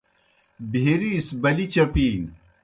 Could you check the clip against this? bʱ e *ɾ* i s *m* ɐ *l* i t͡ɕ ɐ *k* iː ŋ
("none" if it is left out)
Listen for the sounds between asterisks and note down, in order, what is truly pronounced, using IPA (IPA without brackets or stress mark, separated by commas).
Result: ɾ, b, l, p